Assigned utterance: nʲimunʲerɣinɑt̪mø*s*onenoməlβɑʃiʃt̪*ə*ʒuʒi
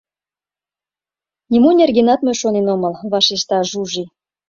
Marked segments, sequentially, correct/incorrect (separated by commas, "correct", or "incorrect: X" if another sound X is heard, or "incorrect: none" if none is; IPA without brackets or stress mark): incorrect: ʃ, incorrect: ɑ